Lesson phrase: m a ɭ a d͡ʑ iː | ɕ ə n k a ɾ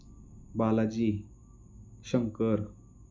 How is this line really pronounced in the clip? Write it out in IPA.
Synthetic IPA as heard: b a l a d͡ʑ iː | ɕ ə ŋ k ə ɾ